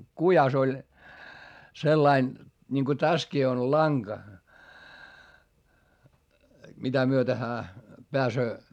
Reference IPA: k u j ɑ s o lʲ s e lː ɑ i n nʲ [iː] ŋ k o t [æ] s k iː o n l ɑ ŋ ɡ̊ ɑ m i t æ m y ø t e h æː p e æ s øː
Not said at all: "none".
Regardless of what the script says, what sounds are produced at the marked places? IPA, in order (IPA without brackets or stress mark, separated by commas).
i, æ